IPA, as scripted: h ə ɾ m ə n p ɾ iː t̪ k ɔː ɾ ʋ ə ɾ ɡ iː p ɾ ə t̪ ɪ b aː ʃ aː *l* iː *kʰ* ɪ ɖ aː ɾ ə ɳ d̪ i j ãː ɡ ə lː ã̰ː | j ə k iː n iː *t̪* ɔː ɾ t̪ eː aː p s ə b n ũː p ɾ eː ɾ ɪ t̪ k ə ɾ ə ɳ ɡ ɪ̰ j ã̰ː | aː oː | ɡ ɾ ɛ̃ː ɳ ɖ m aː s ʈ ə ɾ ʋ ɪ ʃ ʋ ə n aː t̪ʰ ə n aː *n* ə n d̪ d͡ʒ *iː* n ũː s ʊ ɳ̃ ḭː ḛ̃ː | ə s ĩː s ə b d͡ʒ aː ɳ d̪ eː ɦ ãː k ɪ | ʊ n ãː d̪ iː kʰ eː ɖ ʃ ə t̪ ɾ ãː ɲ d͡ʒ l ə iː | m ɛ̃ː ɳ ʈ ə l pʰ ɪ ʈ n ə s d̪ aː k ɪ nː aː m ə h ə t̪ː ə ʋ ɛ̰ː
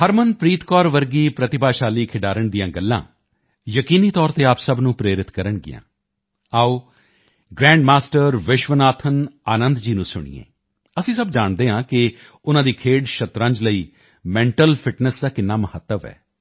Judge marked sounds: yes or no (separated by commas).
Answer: yes, yes, yes, yes, yes